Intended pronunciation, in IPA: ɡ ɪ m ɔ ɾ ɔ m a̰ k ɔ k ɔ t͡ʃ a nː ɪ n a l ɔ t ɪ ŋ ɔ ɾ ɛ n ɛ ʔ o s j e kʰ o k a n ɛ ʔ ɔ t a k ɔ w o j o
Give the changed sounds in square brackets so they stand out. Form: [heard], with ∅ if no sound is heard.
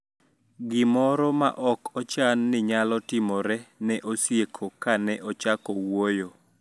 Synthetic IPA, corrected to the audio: ɡ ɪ m ɔ ɾ ɔ m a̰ [ʔ] ɔ k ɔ t͡ʃ a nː ɪ [ɲ] a l ɔ t ɪ [m] ɔ ɾ ɛ n ɛ ʔ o s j e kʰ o k a n ɛ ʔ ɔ [t͡ʃ] a k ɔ w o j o